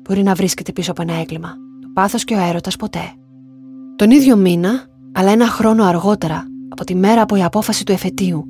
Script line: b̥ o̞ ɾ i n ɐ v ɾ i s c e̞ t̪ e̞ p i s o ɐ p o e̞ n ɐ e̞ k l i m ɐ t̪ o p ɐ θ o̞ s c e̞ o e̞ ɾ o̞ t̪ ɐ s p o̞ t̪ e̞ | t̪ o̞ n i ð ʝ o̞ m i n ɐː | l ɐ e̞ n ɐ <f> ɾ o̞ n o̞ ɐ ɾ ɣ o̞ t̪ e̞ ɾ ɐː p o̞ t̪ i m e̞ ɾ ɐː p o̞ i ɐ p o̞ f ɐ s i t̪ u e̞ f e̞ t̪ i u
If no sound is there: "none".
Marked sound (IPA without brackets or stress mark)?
x